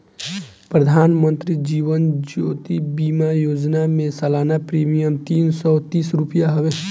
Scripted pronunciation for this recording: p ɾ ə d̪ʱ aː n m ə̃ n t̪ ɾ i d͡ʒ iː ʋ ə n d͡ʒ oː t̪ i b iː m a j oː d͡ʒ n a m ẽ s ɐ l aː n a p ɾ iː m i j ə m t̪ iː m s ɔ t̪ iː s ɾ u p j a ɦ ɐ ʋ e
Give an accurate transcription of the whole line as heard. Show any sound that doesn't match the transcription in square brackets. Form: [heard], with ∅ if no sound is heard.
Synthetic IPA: p ɾ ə d̪ʱ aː n m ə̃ n t̪ ɾ i d͡ʒ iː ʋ ə n d͡ʒ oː t̪ i b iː m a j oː d͡ʒ n a m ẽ s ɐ l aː n a p ɾ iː m i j ə m t̪ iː [n] s ɔ t̪ iː s ɾ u p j a ɦ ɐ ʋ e